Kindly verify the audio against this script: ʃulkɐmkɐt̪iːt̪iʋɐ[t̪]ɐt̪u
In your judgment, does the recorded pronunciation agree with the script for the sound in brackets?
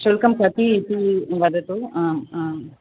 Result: no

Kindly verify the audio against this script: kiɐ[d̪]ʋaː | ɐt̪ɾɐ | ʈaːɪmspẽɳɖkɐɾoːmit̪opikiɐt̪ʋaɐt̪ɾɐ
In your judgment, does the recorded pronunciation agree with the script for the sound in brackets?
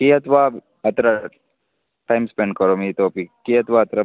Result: no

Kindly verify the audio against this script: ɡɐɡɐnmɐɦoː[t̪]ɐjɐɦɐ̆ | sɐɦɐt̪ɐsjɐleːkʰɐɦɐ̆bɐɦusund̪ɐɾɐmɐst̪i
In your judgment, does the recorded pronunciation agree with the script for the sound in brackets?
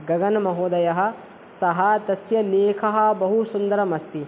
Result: no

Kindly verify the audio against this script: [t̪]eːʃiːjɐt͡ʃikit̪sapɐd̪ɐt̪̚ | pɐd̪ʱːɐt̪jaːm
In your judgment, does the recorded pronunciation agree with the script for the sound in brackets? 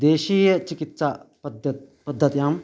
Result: no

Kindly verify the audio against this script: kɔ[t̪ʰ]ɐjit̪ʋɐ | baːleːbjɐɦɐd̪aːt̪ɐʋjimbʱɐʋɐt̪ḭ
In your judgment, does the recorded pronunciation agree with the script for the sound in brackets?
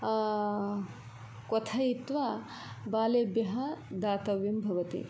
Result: yes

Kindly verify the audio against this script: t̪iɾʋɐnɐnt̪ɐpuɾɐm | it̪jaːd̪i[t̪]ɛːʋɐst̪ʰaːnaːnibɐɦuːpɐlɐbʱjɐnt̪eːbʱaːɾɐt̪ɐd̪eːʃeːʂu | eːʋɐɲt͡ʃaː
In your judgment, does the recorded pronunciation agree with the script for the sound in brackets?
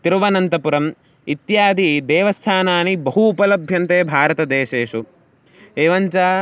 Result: no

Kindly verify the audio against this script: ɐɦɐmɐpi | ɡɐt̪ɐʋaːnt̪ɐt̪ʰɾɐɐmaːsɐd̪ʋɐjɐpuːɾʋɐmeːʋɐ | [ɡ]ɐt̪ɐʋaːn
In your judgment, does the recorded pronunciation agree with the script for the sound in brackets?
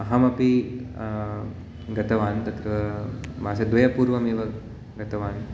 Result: yes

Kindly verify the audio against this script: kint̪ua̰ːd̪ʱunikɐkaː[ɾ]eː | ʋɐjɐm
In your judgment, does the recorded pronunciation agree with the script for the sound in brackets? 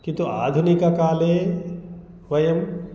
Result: no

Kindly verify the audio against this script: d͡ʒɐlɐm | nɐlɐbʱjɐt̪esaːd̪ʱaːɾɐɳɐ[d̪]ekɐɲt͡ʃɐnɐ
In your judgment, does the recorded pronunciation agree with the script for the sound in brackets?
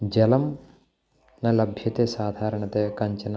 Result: no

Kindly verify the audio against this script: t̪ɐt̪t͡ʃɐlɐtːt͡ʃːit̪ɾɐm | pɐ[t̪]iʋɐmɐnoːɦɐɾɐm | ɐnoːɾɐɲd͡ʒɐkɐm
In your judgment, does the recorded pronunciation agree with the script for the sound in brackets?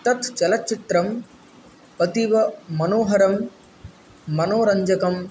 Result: yes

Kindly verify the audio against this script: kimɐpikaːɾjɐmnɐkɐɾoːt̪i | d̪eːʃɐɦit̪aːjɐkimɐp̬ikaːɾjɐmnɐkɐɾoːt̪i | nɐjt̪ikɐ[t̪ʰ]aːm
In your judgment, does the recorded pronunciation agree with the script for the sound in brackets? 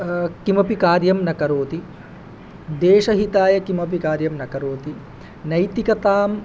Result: no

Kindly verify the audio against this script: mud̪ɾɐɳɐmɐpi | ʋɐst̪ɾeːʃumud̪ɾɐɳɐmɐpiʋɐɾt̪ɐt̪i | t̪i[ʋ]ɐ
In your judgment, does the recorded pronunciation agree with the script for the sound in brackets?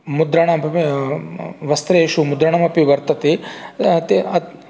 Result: no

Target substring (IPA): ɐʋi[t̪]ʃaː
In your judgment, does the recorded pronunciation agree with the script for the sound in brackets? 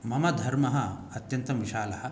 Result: no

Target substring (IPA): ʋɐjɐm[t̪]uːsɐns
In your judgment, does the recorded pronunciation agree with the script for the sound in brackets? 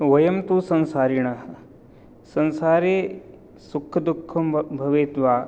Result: yes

